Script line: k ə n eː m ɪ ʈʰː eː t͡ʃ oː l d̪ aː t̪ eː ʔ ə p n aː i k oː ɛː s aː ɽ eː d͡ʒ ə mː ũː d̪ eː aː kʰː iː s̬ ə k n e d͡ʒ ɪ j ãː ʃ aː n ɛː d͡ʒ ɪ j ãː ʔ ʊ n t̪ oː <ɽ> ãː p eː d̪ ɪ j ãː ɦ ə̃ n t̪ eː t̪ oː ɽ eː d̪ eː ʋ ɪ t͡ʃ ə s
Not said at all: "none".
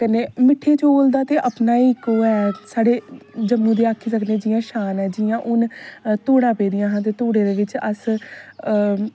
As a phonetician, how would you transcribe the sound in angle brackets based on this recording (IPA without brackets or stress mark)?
ɽ